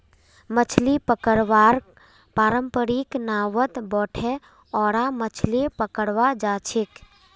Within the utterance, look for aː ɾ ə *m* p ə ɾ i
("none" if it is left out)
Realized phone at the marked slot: m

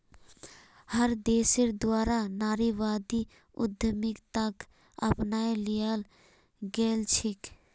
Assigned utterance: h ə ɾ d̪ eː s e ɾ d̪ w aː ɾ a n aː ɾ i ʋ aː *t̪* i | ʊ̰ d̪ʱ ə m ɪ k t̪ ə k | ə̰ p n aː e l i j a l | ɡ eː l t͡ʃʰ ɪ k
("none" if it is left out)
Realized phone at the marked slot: d̪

